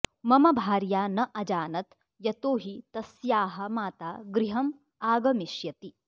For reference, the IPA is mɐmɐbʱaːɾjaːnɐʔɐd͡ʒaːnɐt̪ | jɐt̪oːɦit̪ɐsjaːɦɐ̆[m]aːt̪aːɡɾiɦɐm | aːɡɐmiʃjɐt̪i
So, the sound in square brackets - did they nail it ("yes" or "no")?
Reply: yes